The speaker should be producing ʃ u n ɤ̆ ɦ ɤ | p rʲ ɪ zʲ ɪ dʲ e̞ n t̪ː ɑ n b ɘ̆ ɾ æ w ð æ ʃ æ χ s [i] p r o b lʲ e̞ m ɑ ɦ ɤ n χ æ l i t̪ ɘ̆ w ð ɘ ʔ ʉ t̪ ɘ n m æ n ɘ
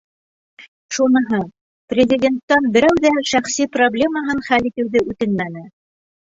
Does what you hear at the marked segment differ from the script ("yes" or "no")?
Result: no